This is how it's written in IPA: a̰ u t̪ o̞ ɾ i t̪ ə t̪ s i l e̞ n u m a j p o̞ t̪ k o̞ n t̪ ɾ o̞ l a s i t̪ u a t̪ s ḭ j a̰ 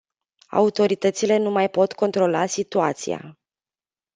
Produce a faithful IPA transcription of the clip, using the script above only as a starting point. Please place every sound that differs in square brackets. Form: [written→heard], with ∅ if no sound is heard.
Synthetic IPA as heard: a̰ u t̪ o̞ ɾ i t̪ ə t̪ s i l e̞ n u m a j p o̞ t̪ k o̞ n t̪ ɾ o̞ l a s i t̪ u a t̪ s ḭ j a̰